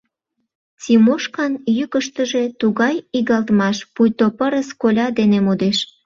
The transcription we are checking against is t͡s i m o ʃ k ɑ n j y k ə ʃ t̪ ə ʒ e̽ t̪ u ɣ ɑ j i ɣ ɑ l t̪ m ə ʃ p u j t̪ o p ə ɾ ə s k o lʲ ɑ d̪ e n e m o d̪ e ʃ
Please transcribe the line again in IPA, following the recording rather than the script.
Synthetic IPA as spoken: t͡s i m o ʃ k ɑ n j y k ə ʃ t̪ ə ʒ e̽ t̪ u ɣ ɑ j i ɣ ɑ l t̪ m ɑ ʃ p u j t̪ o p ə ɾ ə s k o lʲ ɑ d̪ e n e m o d̪ e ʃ